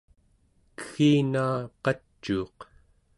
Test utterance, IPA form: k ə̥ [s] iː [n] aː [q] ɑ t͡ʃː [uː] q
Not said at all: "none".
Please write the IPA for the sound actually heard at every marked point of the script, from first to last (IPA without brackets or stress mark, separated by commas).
x, n, q, uː